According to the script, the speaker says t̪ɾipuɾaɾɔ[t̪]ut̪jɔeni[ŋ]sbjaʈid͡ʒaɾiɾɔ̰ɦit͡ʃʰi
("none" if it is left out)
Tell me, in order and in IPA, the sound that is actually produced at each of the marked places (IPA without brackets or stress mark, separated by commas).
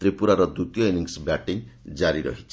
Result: d̪, ŋ